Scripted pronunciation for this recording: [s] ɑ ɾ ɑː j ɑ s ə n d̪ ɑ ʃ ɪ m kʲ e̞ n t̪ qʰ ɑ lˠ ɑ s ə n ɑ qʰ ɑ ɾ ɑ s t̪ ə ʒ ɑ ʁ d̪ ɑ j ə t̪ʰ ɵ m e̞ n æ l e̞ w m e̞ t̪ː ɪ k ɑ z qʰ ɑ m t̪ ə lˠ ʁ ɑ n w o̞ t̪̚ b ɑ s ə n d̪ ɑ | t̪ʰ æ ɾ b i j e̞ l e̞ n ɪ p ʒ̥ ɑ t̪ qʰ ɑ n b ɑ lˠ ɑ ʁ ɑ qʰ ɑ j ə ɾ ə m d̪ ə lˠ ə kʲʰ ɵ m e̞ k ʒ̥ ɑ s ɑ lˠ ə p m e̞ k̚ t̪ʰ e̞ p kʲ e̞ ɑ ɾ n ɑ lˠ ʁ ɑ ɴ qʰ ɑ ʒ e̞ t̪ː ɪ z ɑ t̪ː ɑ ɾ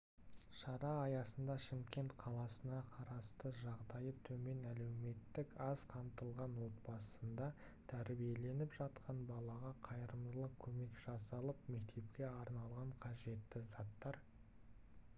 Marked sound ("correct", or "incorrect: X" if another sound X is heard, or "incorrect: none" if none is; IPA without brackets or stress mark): incorrect: ʃ